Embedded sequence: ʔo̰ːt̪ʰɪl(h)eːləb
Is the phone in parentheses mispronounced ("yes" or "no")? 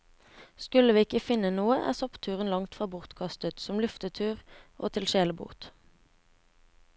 yes